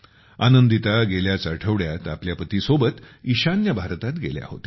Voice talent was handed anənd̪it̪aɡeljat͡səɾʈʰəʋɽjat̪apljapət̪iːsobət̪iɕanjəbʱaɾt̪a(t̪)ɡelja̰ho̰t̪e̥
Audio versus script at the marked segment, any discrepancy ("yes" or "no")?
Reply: no